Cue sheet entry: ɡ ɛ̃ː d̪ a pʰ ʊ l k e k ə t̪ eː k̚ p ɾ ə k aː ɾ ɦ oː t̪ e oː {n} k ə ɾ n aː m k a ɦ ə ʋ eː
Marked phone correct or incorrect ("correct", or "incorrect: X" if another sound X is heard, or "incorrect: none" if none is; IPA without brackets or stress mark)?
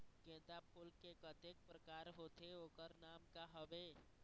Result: incorrect: none